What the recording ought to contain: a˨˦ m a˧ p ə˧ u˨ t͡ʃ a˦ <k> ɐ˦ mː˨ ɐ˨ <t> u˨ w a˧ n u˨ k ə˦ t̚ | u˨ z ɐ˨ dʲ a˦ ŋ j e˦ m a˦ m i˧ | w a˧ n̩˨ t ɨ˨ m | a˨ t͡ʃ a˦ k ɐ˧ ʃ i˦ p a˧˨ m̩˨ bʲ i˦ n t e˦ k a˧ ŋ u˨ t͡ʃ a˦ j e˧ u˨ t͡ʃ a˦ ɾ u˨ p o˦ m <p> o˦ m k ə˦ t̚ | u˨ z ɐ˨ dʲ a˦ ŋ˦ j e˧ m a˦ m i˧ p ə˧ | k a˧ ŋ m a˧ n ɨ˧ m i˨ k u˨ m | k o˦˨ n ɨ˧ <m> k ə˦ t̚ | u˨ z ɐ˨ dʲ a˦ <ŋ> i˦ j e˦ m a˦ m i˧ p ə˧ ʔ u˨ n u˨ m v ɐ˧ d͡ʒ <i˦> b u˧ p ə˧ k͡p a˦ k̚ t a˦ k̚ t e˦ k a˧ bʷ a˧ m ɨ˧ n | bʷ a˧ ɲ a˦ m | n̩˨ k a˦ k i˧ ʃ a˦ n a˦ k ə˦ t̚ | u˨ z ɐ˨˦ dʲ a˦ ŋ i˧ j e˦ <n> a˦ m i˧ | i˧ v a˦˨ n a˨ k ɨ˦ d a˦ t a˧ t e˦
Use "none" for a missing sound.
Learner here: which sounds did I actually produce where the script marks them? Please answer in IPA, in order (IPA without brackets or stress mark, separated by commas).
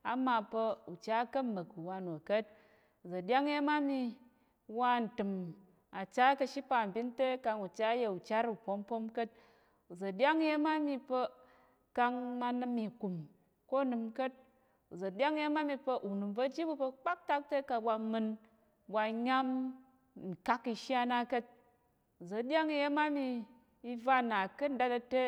k, k, p, m, ŋ, i˦, m